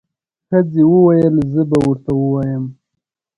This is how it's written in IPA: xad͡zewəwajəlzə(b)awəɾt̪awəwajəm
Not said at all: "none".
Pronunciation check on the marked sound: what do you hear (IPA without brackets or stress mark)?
b